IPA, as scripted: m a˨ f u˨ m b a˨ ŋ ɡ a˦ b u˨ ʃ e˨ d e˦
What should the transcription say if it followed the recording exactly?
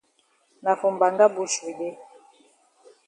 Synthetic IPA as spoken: n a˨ f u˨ m b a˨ ŋ ɡ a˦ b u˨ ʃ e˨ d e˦